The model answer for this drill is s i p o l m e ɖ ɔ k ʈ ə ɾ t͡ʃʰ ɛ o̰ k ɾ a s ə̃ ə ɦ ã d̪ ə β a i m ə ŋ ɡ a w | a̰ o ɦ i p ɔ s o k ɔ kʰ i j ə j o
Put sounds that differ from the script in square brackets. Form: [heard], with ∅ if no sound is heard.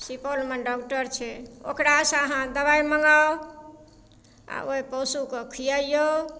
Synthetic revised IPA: s i p o l m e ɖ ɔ k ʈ ə ɾ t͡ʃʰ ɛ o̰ k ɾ a s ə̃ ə ɦ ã d̪ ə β a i m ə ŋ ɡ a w | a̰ o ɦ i p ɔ s [u] k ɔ kʰ i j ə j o

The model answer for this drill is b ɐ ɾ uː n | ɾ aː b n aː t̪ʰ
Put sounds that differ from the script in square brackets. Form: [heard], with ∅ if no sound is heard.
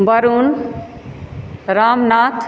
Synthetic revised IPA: b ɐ ɾ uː n | ɾ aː [m] n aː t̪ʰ

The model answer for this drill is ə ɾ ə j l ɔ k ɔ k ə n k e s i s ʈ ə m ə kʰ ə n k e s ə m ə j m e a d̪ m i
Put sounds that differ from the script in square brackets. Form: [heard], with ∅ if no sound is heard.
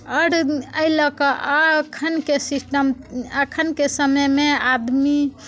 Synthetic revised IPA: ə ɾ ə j l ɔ k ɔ [kʰ] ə n k e s i s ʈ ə m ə kʰ ə n k e s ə m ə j m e a d̪ m i

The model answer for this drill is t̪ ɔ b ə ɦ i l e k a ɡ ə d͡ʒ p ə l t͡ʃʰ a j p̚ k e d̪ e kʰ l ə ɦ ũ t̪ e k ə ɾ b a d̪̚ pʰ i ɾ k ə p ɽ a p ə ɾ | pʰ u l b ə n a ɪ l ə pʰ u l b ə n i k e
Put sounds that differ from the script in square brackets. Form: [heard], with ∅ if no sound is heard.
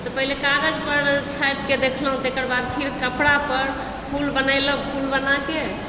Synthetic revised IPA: t̪ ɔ [p] ə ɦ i l e k a ɡ ə d͡ʒ p ə [ɾ] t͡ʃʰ a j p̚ k e d̪ e kʰ l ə ɦ ũ t̪ e k ə ɾ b a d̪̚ pʰ i ɾ k ə p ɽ a p ə ɾ | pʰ u l b ə n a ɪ l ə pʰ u l b ə n [a] k e

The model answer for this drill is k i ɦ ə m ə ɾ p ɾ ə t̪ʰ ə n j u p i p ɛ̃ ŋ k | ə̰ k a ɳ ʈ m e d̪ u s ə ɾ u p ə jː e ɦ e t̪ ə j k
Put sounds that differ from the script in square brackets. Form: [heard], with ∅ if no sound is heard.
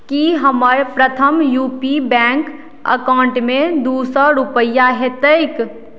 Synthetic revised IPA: k i ɦ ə m ə ɾ p ɾ ə t̪ʰ ə [m] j u p i [b] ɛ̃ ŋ k | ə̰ k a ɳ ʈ m e d̪ u s ə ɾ u p ə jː [a] ɦ e t̪ ə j k

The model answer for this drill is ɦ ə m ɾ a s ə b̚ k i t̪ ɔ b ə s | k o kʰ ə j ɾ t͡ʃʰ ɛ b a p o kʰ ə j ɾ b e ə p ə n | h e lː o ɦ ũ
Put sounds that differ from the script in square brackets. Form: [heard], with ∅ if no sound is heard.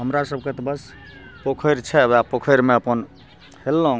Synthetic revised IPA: ɦ ə m ɾ a s ə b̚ k [e] t̪ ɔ b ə s | [p] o kʰ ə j ɾ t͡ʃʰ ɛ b a p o kʰ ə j ɾ [m] e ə p ə n | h e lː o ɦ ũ

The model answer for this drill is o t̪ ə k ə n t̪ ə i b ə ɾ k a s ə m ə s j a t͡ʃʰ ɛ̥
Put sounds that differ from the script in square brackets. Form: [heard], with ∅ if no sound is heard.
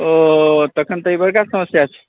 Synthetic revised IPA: o t̪ ə [kʰ] ə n t̪ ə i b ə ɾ k a s ə m ə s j a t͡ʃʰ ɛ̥

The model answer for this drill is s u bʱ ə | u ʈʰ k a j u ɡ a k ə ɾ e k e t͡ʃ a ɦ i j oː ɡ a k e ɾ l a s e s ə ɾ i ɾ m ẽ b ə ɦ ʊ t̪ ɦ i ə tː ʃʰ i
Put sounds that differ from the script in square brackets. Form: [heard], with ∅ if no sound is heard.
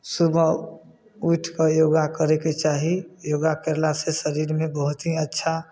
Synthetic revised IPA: s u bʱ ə | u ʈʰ k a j [o] ɡ a k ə ɾ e k e t͡ʃ a ɦ i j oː ɡ a k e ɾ l a s e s ə ɾ i ɾ m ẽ b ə ɦ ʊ t̪ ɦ i ə tː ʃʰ [a]

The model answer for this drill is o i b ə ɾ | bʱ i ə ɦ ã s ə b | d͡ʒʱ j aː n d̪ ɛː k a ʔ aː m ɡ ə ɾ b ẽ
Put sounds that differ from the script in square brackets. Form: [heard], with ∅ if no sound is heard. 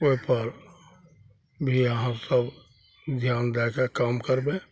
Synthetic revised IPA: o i [p] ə ɾ | bʱ i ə ɦ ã s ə b | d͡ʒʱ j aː n d̪ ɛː k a [k] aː m [k] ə ɾ b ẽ

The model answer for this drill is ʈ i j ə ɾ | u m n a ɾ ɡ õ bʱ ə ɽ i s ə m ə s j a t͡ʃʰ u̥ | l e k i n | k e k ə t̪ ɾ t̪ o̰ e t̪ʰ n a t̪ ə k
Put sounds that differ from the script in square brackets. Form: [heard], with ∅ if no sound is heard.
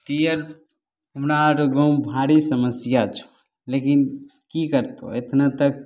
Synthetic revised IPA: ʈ i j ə ɾ | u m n a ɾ ɡ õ bʱ [a] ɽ i s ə m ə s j a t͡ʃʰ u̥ | l e k i n | k [i] k ə [∅] ɾ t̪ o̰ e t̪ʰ n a t̪ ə k

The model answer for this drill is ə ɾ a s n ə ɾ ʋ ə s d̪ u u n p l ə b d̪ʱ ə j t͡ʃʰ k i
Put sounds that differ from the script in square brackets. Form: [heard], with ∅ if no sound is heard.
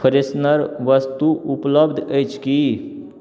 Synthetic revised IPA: ə ɾ [e] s n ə ɾ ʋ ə s [t̪] u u [∅] p l ə b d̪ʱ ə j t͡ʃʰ k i

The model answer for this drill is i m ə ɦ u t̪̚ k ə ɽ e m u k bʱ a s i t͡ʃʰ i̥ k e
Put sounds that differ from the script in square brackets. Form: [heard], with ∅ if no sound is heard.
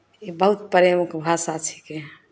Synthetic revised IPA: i [b] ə ɦ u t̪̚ [p] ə [ɾ] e m u k bʱ a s [a] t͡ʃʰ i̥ k e

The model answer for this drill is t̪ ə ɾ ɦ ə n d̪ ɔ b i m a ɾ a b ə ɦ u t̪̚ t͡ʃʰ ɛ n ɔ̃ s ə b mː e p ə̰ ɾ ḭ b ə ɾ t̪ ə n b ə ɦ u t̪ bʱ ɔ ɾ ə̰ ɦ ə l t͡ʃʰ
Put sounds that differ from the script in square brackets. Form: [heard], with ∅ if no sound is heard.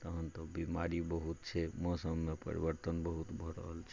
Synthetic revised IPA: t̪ ə [∅] ɦ ə n [t̪] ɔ b i m a ɾ [i] b ə ɦ u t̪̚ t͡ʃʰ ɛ [m] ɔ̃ s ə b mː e p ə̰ ɾ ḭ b ə ɾ t̪ ə n b ə ɦ u t̪ bʱ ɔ ɾ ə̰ ɦ ə l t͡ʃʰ

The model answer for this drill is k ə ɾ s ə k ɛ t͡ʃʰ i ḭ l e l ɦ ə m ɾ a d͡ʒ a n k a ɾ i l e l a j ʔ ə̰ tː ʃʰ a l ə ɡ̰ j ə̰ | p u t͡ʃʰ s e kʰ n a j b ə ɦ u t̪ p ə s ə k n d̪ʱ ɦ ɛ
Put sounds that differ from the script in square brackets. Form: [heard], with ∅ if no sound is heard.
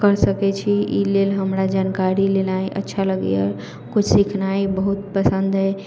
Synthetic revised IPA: k ə ɾ s ə k ɛ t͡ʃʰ i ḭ l e l ɦ ə m ɾ a d͡ʒ a n k a ɾ i l e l a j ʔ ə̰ tː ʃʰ a l ə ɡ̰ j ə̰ | [k] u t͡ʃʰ s [i] kʰ n a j b ə ɦ u t̪ p ə s ə [∅] n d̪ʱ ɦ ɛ

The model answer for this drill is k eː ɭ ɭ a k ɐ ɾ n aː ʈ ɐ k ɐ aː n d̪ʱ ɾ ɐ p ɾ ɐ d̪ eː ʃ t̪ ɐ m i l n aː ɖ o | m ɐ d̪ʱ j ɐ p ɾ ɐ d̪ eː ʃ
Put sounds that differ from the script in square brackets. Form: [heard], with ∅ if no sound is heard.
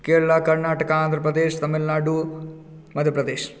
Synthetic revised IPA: k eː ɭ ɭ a k ɐ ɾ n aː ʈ ɐ k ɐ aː n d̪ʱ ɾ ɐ p ɾ ɐ d̪ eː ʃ t̪ ɐ m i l n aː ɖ [u] | m ɐ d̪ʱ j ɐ p ɾ ɐ d̪ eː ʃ

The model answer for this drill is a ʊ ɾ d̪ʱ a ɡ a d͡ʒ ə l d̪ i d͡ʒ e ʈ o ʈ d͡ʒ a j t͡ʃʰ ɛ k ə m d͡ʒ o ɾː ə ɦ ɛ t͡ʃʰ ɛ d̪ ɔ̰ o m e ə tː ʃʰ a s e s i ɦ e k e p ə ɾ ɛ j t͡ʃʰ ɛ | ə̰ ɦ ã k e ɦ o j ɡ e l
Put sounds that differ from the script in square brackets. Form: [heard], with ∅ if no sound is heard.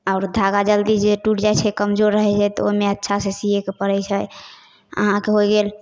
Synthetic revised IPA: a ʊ ɾ d̪ʱ a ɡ a d͡ʒ ə l d̪ i d͡ʒ e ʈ [u] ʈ d͡ʒ a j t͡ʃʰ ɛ k ə m d͡ʒ o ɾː ə ɦ ɛ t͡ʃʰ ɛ [t̪] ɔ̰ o m e ə tː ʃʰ a s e s i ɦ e k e p ə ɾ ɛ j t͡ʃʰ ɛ | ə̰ ɦ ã k e ɦ o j ɡ e l

